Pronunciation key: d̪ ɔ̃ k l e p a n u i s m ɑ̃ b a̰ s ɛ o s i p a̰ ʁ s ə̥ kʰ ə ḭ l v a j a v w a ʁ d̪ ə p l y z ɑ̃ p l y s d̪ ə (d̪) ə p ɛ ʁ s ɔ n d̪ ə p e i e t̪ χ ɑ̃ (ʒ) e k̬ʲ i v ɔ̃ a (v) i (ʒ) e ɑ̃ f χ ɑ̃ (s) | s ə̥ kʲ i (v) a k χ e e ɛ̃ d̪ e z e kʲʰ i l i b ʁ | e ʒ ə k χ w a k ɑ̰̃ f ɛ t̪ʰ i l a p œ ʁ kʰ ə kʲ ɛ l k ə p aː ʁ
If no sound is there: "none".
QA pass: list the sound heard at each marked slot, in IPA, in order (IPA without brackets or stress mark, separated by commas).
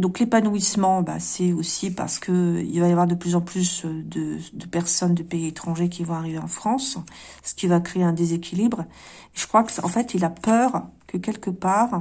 d̪, ʒ, ʁ, v, s, v